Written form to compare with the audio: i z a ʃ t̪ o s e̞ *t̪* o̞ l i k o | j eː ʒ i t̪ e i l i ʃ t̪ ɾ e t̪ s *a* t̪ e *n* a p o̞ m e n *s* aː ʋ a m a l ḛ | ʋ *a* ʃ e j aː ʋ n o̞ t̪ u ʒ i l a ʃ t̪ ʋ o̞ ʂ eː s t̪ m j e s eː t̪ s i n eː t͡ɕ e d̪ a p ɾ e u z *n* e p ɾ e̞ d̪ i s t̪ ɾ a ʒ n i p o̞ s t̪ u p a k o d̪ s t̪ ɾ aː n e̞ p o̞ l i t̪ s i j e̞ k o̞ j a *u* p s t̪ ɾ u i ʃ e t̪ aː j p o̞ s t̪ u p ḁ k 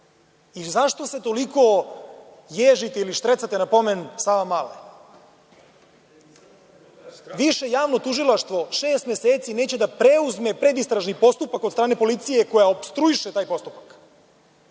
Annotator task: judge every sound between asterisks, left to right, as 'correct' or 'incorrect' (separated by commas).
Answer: correct, correct, correct, correct, incorrect, incorrect, incorrect